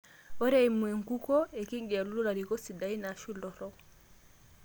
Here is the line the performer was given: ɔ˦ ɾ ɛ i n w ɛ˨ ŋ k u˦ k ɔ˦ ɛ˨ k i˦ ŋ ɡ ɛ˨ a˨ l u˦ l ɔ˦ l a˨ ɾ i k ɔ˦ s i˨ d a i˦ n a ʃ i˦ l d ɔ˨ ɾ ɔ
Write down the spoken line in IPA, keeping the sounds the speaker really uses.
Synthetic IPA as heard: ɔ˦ ɾ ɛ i m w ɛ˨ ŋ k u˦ k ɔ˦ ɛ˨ k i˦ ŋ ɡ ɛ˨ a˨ l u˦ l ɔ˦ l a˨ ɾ i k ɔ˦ s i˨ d a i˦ n a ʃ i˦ l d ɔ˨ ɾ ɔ